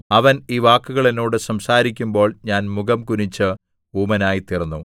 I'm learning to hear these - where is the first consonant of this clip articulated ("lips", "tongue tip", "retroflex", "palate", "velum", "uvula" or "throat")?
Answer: lips